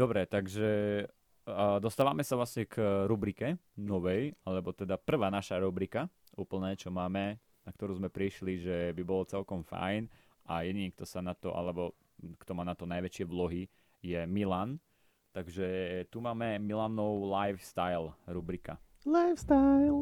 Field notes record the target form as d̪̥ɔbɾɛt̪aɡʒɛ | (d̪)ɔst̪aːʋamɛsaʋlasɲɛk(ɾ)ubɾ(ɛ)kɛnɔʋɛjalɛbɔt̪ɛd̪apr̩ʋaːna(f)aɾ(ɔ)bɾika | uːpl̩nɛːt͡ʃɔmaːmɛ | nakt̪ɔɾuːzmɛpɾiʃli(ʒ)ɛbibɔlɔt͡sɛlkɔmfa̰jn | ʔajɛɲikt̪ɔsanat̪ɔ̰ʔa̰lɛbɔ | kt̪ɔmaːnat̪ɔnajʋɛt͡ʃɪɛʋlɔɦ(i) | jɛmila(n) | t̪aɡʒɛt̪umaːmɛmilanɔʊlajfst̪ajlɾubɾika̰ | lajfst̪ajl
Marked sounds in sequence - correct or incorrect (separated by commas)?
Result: correct, correct, incorrect, incorrect, incorrect, correct, correct, correct